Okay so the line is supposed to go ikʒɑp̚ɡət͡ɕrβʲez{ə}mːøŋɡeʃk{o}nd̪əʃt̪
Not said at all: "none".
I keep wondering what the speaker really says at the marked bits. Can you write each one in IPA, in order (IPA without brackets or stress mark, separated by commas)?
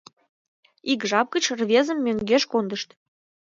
ə, o